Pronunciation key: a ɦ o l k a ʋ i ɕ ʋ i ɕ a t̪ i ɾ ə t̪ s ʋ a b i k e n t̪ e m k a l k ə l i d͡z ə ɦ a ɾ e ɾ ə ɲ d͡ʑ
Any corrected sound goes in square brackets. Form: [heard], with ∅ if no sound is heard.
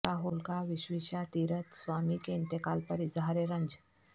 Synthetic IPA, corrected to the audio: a ɦ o l k a ʋ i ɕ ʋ i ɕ a t̪ i ɾ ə t̪ s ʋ a [m] i k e n t̪ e [∅] k a l [p] ə [ɾ] i d͡z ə ɦ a ɾ e ɾ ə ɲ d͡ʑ

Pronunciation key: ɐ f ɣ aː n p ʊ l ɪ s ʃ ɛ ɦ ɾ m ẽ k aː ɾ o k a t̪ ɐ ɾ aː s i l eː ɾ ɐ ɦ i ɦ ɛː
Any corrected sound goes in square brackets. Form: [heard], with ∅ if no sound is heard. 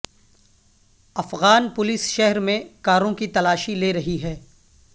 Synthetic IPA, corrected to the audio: ɐ f ɣ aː n p ʊ l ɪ s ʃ ɛ ɦ ɾ m ẽ k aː ɾ [õ] k [i] t̪ ɐ [l] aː [ʃ] i l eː ɾ ɐ ɦ i ɦ ɛː

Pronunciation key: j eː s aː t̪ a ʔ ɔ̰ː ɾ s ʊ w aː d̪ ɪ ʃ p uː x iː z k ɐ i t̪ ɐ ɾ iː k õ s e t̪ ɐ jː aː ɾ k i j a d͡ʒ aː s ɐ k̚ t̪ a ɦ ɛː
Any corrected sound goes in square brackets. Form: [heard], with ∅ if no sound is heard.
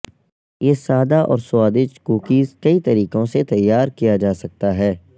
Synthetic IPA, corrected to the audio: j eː s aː [d̪] a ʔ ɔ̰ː ɾ s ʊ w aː d̪ ɪ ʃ [k] uː [k] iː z k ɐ i t̪ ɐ ɾ iː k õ s e t̪ ɐ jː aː ɾ k i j a d͡ʒ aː s ɐ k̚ t̪ a ɦ ɛː

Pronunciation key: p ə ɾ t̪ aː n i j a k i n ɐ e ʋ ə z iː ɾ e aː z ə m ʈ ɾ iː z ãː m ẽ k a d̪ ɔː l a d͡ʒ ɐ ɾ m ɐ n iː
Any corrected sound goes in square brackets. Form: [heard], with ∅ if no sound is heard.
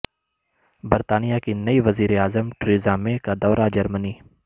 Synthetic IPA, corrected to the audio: [b] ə ɾ t̪ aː n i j a k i n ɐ [i] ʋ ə z iː ɾ e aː z ə m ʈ ɾ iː z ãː m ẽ k a d̪ ɔː [ɾ] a d͡ʒ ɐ ɾ m [ə] n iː

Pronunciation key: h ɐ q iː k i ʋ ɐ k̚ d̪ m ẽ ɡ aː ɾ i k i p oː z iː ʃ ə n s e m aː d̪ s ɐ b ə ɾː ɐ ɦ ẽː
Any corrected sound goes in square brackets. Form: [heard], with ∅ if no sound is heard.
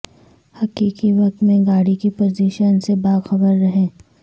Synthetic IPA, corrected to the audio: h ɐ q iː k i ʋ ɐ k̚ [t̪] m ẽ ɡ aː [ɽ] i k i p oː z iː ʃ ə n s e [b] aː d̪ [x] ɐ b ə ɾː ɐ ɦ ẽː

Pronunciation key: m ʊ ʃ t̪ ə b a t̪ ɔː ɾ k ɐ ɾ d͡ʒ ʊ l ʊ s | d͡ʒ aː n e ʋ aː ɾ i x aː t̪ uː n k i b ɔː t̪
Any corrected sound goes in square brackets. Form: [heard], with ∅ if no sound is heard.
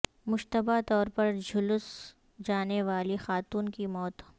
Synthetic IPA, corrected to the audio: m ʊ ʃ t̪ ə b a t̪ ɔː ɾ [p] ɐ ɾ d͡ʒ ʊ l ʊ s | d͡ʒ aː n e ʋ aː [l] i x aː t̪ uː n k i [m] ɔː t̪

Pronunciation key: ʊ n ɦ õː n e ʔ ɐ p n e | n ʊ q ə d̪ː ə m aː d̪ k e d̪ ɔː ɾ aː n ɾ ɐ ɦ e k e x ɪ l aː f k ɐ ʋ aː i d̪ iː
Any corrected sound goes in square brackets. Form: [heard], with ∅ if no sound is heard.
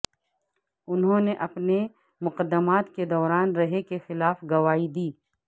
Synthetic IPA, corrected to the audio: ʊ n ɦ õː n e ʔ ɐ p n e | [m] ʊ q ə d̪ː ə m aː [t̪] k e d̪ ɔː ɾ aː n ɾ ɐ ɦ e k e x ɪ l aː f [ɡ] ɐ ʋ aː i d̪ iː

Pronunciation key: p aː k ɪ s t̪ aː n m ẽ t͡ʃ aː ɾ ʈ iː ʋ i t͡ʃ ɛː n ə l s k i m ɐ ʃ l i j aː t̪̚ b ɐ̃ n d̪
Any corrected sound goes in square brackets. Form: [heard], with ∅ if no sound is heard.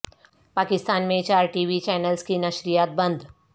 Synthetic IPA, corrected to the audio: p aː k ɪ s t̪ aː n m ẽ t͡ʃ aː ɾ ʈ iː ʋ i t͡ʃ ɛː n ə l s k i [n] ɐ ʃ [ɾ] i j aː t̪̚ b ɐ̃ n d̪

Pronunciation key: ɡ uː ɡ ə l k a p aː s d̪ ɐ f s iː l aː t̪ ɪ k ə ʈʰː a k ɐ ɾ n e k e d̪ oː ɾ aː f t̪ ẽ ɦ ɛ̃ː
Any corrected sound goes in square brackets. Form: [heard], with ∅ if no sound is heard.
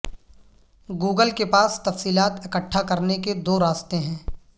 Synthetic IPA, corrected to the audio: ɡ uː ɡ ə l k [e] p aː s [t̪] ɐ f s iː l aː t̪ ɪ k ə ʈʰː a k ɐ ɾ n e k e d̪ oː ɾ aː [s] t̪ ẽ ɦ ɛ̃ː

